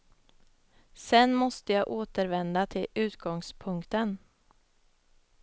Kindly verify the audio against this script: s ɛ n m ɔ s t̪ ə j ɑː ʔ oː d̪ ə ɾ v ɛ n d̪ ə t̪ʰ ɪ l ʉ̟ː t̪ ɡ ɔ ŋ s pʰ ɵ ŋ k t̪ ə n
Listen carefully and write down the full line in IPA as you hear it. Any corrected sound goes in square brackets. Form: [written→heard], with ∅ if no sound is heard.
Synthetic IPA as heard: s ɛ n m ɔ s t̪ ə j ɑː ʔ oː [d̪→t̪] ə ɾ v ɛ n d̪ [ə→a] t̪ʰ ɪ l ʉ̟ː t̪ ɡ ɔ ŋ s pʰ ɵ ŋ k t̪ ə n

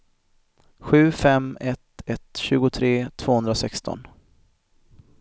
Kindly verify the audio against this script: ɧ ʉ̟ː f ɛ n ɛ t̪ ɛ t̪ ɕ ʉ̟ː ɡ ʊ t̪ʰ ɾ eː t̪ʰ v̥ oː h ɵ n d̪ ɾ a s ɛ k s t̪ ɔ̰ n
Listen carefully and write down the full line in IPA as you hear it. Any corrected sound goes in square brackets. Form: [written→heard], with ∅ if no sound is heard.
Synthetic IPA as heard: ɧ ʉ̟ː f ɛ [n→m] ɛ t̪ ɛ t̪ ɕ ʉ̟ː ɡ ʊ t̪ʰ ɾ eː t̪ʰ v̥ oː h ɵ n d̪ ɾ a s ɛ k s t̪ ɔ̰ n

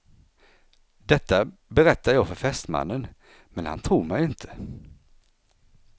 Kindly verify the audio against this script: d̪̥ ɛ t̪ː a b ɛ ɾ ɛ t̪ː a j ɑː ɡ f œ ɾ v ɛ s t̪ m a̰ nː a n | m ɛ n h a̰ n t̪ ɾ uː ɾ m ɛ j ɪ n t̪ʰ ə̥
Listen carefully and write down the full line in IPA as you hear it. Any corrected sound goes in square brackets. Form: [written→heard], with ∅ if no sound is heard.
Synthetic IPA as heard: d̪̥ ɛ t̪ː a b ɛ ɾ ɛ t̪ː a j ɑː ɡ f œ ɾ [v→f] ɛ s t̪ m a̰ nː [a→ə] n | m ɛ n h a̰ n [t̪→t̪ʰ] ɾ uː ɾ m ɛ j ɪ n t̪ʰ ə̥

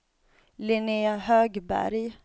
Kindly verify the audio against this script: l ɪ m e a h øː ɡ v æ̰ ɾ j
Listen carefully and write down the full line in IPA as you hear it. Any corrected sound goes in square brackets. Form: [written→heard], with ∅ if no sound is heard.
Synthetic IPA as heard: l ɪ [m→n] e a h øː ɡ [v→b] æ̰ ɾ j

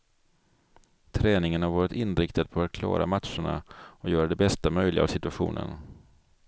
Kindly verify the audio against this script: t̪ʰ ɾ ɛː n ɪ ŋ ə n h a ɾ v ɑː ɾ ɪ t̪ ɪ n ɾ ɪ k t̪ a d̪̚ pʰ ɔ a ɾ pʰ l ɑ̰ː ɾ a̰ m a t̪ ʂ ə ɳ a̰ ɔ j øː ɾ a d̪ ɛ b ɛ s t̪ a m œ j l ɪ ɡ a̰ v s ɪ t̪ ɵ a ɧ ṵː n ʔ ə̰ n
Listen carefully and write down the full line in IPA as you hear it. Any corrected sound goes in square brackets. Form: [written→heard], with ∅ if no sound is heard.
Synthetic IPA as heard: t̪ʰ ɾ ɛː n ɪ ŋ ə n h a ɾ v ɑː ɾ ɪ t̪ ɪ n ɾ ɪ k t̪ a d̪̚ pʰ ɔ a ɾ [pʰ→kʰ] l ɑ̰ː ɾ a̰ m a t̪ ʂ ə ɳ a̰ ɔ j [øː→œː] ɾ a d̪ ɛ b ɛ s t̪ a m œ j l ɪ ɡ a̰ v s ɪ t̪ ɵ a ɧ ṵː n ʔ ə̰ n

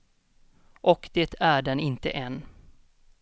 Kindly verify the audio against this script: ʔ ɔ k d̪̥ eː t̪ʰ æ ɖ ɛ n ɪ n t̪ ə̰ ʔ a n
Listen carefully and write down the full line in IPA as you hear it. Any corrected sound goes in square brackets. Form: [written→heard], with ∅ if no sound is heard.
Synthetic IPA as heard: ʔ ɔ k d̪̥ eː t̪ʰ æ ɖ ɛ n ɪ n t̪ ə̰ ʔ [a→ɛ] n

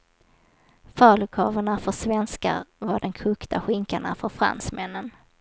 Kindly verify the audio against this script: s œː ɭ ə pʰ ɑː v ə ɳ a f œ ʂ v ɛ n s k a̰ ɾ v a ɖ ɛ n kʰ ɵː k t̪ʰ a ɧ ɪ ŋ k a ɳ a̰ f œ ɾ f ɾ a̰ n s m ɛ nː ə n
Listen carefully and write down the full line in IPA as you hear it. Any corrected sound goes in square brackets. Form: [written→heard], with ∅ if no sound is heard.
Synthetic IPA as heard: [s→f] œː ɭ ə [pʰ→kʰ] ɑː v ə ɳ a f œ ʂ v ɛ n s k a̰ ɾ v a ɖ ɛ n kʰ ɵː k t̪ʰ a ɧ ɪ ŋ k a ɳ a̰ f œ ɾ f ɾ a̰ n s m ɛ nː ə n

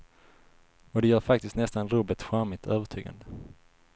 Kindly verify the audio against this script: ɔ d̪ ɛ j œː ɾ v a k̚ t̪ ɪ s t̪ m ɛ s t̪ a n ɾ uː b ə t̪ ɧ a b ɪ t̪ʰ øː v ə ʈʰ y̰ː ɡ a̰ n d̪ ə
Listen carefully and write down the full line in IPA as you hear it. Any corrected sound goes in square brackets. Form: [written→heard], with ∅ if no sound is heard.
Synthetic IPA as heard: ɔ d̪ ɛ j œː ɾ [v→f] a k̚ t̪ ɪ s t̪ [m→n] ɛ s t̪ a n ɾ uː b ə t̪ ɧ a [b→m] ɪ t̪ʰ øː v ə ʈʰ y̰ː ɡ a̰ n d̪ ə

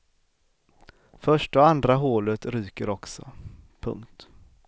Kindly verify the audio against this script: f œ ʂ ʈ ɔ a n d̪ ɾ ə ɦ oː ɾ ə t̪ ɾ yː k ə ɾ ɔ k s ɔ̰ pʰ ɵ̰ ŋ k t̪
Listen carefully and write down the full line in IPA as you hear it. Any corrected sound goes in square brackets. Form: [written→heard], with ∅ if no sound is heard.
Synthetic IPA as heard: f œ ʂ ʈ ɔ a n d̪ ɾ [ə→a] ɦ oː [ɾ→l] ə t̪ ɾ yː k ə ɾ ɔ k s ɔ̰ pʰ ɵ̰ ŋ k t̪

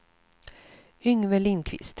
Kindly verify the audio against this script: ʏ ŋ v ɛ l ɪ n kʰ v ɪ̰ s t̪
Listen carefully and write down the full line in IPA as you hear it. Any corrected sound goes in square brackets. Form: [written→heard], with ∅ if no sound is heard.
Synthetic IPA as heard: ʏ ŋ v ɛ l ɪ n kʰ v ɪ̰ s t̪

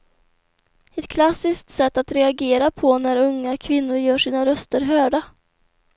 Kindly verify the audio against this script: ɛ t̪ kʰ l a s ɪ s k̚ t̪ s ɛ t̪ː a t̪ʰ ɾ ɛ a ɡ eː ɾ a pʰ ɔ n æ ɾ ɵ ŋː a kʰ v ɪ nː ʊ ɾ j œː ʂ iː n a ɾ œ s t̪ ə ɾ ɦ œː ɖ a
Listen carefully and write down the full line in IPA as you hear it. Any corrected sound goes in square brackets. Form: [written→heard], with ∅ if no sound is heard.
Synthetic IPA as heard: ɛ t̪ kʰ l a s ɪ s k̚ t̪ s ɛ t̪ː a [t̪ʰ→t̪] ɾ ɛ a ɡ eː ɾ a pʰ ɔ n æ ɾ ɵ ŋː a kʰ v ɪ nː ʊ ɾ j œː ʂ iː n a ɾ œ s t̪ ə ɾ ɦ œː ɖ a

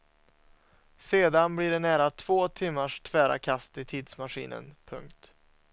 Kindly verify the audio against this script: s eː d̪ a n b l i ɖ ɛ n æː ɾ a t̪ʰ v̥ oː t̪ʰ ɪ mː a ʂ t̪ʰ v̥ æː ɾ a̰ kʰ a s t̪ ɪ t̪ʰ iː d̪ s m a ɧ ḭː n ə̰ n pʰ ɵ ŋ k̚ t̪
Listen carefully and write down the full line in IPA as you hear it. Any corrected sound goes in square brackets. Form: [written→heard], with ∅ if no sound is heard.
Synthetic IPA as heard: s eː d̪ a n b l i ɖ ɛ n æː ɾ a t̪ʰ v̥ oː t̪ʰ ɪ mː a ʂ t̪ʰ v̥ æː ɾ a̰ kʰ a s t̪ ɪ t̪ʰ iː d̪ s m a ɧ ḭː n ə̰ n pʰ ɵ ŋ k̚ t̪

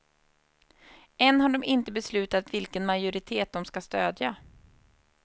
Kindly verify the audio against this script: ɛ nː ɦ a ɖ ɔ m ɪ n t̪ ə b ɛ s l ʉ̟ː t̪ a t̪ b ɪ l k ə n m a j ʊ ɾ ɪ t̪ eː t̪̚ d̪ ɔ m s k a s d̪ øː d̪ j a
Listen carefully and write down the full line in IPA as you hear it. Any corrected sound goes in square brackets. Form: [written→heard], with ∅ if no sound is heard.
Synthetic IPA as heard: ɛ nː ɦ a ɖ ɔ m ɪ n t̪ ə b ɛ s l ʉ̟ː t̪ a t̪ [b→v] ɪ l k ə n m a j ʊ ɾ ɪ [t̪→t̪ʰ] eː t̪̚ d̪ ɔ m s k a s [d̪→t̪] øː d̪ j a

